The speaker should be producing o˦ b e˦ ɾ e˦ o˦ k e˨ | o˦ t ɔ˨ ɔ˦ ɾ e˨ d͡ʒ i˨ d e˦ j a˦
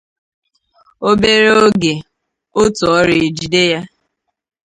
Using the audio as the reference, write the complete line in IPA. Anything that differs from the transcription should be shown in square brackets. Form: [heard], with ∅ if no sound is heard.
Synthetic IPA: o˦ b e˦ ɾ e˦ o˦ [ɡ] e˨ | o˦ t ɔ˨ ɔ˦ ɾ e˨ d͡ʒ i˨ d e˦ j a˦